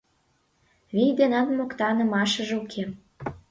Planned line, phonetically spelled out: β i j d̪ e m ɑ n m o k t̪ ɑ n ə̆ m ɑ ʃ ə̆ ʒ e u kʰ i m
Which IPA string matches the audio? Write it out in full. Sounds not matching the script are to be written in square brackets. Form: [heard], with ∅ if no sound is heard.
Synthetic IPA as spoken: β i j d̪ e [n] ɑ n m o k t̪ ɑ n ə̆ m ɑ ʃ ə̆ ʒ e u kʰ [e] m